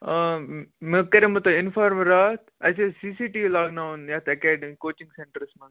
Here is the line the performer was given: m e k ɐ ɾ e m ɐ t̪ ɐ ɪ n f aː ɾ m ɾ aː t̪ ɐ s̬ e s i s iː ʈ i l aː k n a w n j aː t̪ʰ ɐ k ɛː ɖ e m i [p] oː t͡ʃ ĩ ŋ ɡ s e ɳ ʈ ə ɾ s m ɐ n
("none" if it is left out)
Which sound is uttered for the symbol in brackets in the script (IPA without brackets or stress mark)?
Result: k